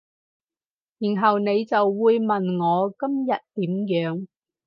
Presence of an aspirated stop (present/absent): absent